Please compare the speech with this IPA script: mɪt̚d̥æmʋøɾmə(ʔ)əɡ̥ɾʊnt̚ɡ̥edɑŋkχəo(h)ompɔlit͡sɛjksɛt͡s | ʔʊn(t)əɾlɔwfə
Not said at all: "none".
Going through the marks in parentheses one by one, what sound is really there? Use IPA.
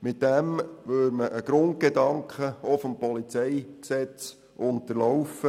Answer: ʔ, f, t

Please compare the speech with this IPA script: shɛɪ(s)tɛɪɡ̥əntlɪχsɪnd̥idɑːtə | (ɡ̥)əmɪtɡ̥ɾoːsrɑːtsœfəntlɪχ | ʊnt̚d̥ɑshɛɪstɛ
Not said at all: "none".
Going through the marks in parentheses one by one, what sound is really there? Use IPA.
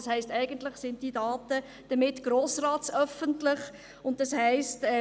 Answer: s, d̥

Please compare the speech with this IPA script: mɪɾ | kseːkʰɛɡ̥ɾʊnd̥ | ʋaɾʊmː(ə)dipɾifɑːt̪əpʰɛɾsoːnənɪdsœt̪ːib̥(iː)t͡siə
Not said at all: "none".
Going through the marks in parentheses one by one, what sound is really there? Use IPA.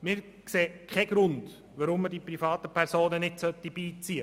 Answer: ə, iː

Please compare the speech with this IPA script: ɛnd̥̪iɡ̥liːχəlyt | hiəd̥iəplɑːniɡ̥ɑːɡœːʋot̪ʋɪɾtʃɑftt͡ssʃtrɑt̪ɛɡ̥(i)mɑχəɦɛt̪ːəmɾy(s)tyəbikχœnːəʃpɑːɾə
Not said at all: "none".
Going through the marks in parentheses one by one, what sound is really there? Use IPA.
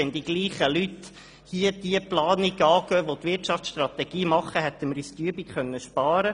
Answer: iː, s

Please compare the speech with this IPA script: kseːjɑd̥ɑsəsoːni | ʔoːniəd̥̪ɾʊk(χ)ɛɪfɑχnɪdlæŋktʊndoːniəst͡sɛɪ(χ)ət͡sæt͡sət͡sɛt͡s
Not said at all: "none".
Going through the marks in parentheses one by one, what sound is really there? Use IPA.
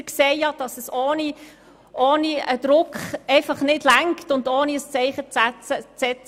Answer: χ, χ

